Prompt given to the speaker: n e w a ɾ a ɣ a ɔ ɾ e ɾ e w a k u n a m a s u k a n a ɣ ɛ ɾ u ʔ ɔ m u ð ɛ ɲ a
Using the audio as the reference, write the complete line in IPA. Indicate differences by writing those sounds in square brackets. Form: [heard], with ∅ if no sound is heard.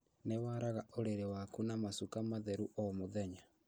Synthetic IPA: n e w a ɾ a ɣ a [o] ɾ e ɾ e w a k u n a m a s u k a [m] a [ð] ɛ ɾ u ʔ ɔ m [o] ð ɛ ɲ a